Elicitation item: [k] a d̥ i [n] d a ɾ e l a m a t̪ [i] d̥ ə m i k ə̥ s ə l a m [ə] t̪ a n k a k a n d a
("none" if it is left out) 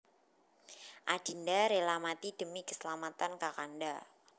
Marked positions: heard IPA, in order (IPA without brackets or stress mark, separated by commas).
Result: ʔ, n, i, a